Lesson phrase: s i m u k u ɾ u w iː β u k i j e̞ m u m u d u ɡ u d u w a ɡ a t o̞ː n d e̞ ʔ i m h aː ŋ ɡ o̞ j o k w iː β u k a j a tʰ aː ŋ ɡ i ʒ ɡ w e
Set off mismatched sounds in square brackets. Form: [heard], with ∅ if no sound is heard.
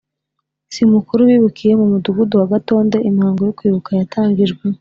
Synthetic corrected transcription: s i m u k u ɾ u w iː β u k i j e̞ m u m u d u ɡ u d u w a ɡ a t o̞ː n d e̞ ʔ i m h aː ŋ ɡ o̞ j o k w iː β u k a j a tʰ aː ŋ ɡ i ʒ ɡ w e